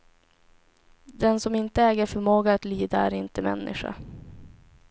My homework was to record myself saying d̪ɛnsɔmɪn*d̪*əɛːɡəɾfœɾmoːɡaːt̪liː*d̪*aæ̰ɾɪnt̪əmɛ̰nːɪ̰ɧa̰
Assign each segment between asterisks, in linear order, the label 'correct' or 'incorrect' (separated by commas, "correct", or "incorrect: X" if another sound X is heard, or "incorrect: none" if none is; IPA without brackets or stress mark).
incorrect: t̪, correct